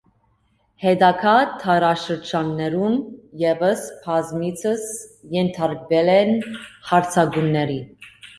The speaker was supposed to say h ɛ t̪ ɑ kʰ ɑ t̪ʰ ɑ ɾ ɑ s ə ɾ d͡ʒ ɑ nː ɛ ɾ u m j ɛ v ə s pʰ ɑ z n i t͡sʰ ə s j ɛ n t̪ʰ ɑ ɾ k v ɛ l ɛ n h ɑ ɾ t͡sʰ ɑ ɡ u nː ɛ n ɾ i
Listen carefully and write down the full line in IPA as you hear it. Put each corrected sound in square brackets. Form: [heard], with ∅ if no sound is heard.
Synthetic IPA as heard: h ɛ [d̪] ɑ kʰ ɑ t̪ʰ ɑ ɾ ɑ [ʃ] ə ɾ d͡ʒ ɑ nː ɛ ɾ u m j ɛ v ə s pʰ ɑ z [m] i t͡sʰ ə s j ɛ n t̪ʰ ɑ ɾ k v ɛ l ɛ n h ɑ ɾ t͡sʰ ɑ ɡ u nː ɛ [∅] ɾ i